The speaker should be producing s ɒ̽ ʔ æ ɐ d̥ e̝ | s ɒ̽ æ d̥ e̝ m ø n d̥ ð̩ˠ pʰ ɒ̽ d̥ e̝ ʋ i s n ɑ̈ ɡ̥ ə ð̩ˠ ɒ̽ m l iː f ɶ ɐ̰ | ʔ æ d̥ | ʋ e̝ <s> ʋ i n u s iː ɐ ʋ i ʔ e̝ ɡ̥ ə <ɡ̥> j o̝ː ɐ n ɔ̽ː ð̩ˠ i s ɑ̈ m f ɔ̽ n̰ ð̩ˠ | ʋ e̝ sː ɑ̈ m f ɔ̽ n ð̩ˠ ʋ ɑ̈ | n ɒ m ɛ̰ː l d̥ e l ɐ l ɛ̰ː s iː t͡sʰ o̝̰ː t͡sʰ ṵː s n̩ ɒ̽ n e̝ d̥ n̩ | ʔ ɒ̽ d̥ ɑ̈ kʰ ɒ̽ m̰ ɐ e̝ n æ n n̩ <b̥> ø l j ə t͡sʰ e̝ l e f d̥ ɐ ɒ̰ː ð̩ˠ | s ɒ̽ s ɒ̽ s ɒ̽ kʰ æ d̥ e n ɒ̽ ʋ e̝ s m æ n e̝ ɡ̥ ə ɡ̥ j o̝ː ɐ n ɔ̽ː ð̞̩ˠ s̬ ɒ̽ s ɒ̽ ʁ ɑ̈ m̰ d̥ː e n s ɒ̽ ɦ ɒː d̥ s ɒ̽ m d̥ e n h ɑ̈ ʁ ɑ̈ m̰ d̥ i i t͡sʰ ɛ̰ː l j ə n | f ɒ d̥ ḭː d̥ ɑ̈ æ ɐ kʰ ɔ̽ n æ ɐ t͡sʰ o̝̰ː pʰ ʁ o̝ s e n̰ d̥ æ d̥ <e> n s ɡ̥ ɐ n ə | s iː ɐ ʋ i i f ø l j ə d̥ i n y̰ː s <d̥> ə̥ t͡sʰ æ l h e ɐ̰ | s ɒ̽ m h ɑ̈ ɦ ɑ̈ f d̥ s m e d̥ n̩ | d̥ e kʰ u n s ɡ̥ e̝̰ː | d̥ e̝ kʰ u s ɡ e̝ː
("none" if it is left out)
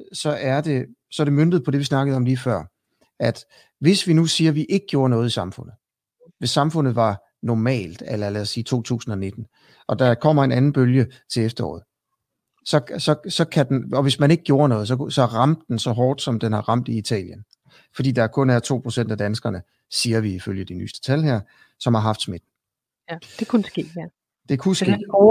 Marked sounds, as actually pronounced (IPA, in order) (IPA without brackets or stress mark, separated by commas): s, ɡ̥, b̥, æ, d̥